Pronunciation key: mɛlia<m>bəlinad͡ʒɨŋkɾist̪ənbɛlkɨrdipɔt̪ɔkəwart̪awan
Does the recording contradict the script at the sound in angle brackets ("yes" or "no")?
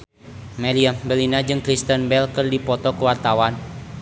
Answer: no